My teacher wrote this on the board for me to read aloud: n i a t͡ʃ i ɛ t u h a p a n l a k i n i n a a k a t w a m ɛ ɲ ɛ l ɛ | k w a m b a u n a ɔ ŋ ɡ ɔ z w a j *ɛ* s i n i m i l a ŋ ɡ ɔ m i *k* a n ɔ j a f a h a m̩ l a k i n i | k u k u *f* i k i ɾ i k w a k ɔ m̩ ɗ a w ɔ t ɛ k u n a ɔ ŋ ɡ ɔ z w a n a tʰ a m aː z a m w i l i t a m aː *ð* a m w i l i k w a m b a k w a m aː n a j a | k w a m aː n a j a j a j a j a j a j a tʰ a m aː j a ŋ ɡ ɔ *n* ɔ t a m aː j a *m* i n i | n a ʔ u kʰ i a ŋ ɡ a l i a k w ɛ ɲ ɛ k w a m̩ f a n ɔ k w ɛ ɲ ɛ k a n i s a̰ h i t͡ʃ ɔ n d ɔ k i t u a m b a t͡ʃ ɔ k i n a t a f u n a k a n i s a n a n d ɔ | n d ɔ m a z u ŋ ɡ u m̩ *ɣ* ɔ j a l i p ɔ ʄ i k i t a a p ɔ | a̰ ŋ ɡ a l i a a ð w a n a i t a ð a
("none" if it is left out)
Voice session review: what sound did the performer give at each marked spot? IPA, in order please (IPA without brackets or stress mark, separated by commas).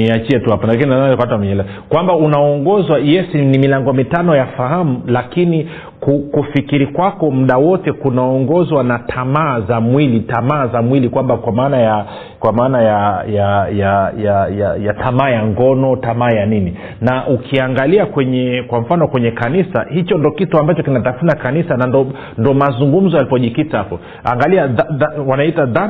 ɛ, t, f, z, n, n, z